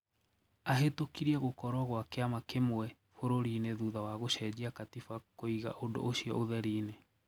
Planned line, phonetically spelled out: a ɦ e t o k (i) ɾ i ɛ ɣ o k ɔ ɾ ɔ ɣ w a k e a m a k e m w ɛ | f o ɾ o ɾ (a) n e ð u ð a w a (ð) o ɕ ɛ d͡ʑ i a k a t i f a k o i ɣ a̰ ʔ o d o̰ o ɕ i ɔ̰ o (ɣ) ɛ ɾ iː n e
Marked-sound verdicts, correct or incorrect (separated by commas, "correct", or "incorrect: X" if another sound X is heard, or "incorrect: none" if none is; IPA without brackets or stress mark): correct, incorrect: i, incorrect: ɣ, incorrect: ð